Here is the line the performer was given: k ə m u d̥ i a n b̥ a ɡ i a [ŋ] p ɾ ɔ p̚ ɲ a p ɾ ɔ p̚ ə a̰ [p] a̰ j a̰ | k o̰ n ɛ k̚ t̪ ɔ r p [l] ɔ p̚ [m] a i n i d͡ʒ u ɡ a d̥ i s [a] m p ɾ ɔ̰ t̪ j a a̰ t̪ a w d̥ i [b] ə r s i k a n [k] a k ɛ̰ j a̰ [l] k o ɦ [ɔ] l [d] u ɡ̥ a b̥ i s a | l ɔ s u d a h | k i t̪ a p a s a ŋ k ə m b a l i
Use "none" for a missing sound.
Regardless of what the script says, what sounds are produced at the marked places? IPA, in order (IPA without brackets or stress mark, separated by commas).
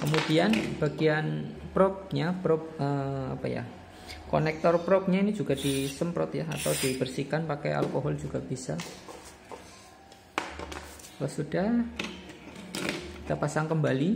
n, p, ɾ, ɲ, ə, b, p, l, ɔ, d͡ʒ